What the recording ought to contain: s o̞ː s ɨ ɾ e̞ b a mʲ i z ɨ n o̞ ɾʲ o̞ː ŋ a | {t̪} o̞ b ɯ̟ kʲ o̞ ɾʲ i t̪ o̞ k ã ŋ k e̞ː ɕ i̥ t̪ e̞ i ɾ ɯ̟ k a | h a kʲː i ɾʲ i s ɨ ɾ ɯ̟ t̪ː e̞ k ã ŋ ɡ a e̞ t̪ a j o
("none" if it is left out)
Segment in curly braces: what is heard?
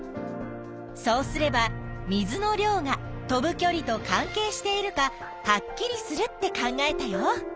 t̪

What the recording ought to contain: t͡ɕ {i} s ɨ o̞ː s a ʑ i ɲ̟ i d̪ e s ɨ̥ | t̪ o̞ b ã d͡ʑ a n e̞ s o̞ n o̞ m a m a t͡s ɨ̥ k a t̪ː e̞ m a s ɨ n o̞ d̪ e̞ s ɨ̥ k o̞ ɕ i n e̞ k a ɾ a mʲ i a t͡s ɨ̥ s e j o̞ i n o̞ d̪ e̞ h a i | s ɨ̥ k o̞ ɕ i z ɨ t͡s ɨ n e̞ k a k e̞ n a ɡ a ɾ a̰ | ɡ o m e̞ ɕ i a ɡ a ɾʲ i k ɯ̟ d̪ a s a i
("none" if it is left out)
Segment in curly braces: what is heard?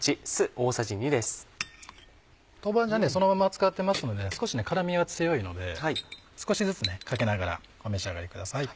i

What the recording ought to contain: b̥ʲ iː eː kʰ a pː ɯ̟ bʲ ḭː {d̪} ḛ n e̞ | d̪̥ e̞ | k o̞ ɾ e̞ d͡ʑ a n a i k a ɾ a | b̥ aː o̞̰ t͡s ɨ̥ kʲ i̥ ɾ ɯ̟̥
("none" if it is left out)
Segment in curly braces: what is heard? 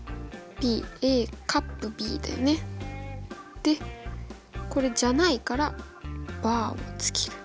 d̪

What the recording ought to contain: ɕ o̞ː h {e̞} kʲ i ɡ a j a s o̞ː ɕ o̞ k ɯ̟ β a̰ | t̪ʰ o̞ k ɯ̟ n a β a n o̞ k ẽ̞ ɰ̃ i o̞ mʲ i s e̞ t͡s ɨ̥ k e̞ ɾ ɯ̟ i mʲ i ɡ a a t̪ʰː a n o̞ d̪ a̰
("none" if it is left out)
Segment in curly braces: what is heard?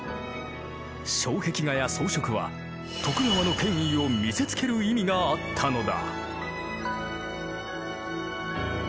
e̞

